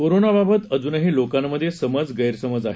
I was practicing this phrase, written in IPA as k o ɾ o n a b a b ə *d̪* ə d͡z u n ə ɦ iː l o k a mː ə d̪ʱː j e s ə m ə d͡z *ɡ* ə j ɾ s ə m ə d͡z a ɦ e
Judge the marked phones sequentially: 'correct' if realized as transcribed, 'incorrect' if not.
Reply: incorrect: t̪, correct

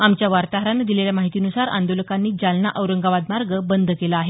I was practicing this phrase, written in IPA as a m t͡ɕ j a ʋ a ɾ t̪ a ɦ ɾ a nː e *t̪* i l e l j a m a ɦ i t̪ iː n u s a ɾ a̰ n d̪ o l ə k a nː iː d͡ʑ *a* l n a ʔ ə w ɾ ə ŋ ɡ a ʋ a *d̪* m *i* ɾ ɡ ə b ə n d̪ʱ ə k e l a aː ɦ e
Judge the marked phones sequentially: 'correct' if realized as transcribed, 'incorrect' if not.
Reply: incorrect: d̪, correct, correct, incorrect: a

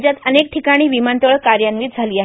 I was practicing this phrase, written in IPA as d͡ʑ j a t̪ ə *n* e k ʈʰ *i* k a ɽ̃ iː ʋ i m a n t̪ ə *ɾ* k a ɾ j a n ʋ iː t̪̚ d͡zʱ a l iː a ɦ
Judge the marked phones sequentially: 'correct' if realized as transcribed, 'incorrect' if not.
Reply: correct, correct, incorrect: ɭ

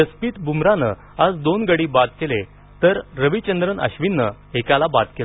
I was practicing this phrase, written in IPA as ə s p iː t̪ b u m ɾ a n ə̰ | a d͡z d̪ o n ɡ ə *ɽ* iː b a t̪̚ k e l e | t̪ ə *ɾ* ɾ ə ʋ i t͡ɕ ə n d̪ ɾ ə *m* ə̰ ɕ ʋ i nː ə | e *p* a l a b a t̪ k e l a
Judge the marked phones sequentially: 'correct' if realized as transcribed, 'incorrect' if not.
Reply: correct, correct, incorrect: n, incorrect: k

